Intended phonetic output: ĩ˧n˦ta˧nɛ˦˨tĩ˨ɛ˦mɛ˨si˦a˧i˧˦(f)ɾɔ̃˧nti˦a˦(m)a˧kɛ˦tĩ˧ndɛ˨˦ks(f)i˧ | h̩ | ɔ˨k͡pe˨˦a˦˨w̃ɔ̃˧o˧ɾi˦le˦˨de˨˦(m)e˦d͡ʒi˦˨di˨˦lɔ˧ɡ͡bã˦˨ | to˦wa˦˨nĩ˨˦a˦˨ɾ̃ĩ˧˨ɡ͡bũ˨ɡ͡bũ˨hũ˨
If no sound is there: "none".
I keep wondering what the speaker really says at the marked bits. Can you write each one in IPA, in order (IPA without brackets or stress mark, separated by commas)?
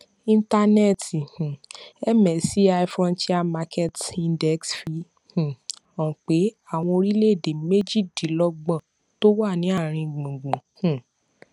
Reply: f, m, f, m